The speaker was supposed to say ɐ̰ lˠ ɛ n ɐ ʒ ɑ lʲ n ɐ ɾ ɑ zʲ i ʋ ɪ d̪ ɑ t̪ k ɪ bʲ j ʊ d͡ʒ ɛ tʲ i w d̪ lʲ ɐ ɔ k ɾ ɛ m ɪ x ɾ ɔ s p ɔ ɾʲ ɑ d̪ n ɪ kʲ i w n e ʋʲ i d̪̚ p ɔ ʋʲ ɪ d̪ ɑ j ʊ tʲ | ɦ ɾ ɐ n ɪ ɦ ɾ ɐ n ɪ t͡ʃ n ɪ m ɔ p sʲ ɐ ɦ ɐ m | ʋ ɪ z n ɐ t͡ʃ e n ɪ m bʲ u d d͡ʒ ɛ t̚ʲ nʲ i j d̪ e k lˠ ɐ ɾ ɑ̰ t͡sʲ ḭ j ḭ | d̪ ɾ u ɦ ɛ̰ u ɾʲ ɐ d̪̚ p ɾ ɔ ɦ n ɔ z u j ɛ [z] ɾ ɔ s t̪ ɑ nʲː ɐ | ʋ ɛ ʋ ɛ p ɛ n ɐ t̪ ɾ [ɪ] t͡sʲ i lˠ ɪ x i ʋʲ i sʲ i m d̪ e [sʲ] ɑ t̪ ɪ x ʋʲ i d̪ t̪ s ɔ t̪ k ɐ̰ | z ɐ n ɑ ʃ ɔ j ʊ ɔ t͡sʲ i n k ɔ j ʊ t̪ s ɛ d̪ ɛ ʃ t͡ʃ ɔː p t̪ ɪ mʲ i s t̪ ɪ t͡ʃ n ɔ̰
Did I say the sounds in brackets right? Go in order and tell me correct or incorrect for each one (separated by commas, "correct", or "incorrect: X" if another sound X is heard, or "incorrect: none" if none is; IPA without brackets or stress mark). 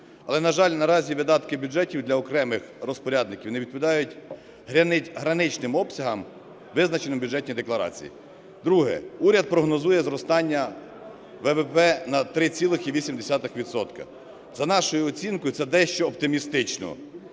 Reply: correct, correct, correct